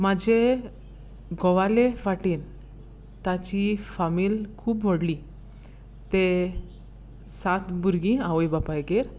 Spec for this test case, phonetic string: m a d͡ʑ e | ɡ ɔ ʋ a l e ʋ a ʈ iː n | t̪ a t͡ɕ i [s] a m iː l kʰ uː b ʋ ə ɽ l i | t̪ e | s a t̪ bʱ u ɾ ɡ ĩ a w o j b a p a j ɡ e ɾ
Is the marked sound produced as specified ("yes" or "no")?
no